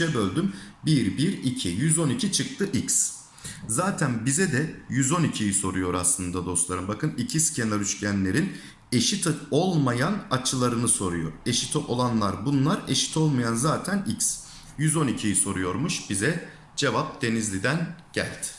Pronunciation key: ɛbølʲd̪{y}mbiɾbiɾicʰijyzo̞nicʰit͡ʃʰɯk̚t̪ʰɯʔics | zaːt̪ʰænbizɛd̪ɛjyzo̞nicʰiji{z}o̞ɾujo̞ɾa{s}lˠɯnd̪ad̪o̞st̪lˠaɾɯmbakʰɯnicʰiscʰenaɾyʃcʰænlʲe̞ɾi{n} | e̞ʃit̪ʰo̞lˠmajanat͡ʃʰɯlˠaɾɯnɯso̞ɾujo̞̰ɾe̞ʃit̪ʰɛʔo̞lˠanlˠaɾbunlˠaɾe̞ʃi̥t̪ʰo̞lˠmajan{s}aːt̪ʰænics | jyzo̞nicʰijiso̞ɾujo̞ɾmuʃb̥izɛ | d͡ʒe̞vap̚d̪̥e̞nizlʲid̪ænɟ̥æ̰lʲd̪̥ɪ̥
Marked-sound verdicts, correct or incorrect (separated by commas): correct, incorrect, correct, correct, incorrect